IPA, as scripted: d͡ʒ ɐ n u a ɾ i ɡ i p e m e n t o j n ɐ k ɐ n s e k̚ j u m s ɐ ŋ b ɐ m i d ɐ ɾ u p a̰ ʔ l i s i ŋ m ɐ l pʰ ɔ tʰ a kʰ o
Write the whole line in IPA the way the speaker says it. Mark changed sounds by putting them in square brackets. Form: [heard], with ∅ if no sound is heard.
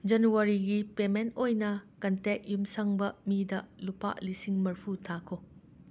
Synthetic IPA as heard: d͡ʒ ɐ n u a ɾ i ɡ i p e m e n t o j n ɐ k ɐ n [t] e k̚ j u m s ɐ ŋ b ɐ m i d ɐ [l] u p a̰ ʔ l i s i ŋ m ɐ [ɾ] pʰ [u] tʰ a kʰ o